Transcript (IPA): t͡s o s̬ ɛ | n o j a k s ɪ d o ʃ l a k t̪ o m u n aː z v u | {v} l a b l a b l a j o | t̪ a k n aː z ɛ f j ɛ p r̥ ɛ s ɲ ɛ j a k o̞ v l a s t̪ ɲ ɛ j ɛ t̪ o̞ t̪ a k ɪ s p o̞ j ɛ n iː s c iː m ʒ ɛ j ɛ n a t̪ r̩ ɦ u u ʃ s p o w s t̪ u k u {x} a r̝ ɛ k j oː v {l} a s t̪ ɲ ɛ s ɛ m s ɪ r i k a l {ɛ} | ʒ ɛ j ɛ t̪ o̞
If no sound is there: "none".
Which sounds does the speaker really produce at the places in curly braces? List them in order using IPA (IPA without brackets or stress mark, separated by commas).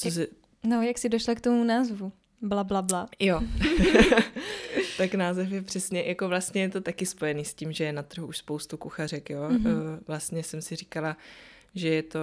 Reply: b, x, l, a